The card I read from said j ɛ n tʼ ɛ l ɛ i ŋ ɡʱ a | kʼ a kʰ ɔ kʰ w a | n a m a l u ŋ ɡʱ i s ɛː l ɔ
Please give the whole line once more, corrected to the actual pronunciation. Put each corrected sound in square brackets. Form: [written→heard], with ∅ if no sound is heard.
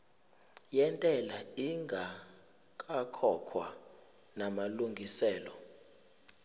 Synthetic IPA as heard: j ɛ n tʼ ɛ l [ɛ→a] i ŋ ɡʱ a | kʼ a kʰ ɔ kʰ w a | n a m a l u ŋ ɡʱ i s ɛː l ɔ